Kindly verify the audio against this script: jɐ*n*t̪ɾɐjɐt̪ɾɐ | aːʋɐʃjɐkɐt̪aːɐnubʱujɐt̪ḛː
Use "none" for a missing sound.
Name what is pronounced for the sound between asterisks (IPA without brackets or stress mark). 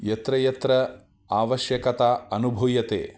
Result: none